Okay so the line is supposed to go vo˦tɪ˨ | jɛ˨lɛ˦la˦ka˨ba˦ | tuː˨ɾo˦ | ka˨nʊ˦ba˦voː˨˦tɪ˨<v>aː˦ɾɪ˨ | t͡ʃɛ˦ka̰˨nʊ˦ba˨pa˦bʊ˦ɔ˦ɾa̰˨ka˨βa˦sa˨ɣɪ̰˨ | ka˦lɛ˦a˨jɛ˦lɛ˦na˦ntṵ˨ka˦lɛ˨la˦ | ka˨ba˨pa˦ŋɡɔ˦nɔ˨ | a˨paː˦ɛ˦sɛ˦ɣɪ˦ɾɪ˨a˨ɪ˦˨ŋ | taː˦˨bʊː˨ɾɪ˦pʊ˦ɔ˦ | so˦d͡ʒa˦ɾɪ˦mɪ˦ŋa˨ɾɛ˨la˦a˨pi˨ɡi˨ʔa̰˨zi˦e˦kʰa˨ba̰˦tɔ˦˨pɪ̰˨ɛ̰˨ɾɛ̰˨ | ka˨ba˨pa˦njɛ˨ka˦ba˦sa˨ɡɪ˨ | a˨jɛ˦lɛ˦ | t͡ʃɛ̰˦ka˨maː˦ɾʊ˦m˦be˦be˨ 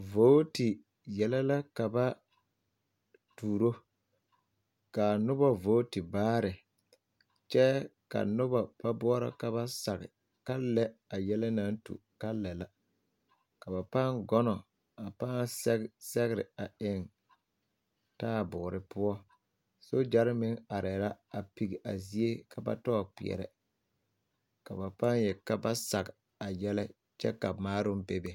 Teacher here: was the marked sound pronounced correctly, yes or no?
no